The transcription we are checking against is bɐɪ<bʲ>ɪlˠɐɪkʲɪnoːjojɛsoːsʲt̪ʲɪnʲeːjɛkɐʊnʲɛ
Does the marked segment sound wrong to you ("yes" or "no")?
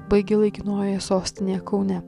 yes